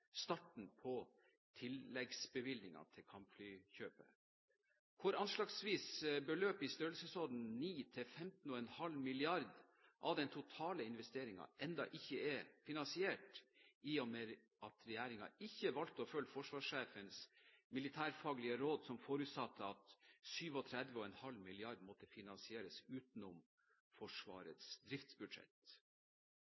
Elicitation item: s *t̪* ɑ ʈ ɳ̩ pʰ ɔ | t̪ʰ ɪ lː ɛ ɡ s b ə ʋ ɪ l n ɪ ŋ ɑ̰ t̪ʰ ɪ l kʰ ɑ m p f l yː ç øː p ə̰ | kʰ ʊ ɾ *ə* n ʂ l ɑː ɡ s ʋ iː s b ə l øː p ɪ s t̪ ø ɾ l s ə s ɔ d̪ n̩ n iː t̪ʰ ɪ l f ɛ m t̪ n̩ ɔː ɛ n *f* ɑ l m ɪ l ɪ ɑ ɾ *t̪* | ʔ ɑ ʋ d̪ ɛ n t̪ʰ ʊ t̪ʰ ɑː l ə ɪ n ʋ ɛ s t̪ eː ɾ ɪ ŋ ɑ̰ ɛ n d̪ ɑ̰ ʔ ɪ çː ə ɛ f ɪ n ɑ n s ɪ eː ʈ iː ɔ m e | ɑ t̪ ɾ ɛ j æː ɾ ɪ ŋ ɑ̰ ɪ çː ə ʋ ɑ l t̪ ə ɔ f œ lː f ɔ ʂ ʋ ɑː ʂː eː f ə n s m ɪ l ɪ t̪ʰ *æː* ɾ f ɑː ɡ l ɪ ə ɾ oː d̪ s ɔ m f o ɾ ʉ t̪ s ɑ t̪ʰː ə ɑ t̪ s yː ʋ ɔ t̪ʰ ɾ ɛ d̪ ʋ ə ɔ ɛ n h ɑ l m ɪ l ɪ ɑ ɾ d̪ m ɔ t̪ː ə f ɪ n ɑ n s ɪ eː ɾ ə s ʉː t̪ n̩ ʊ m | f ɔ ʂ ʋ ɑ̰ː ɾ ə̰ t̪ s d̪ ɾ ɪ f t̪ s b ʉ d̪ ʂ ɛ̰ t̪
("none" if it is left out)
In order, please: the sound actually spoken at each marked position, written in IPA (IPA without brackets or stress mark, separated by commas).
t̪, ɑ, h, d̪, æː